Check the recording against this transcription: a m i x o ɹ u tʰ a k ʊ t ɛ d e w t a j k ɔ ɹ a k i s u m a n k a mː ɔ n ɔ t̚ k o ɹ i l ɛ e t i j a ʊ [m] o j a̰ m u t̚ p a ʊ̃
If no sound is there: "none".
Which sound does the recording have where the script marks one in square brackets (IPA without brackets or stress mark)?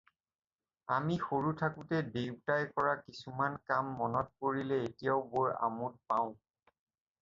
b